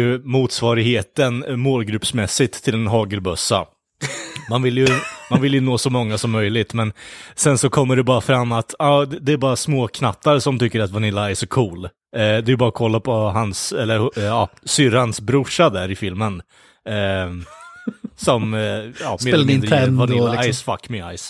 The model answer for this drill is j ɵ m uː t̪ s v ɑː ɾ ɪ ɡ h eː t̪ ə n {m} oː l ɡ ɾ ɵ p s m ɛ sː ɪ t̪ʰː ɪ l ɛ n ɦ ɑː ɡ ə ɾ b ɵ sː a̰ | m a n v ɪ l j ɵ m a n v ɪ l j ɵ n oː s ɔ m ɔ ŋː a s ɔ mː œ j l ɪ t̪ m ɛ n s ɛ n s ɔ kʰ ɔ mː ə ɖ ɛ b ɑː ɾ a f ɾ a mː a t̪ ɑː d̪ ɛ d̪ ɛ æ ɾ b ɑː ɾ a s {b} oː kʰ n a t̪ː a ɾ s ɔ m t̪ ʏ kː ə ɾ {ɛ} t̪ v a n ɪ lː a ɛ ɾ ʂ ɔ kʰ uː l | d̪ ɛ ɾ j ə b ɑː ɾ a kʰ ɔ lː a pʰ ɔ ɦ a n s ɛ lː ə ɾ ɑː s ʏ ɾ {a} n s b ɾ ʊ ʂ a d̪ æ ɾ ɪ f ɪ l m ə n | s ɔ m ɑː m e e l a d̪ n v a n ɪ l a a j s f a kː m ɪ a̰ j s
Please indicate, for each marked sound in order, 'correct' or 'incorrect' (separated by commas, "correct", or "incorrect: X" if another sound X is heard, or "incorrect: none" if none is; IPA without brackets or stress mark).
correct, incorrect: m, incorrect: a, correct